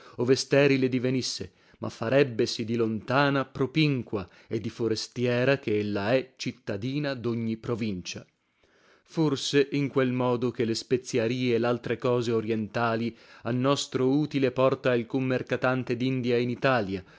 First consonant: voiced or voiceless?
voiced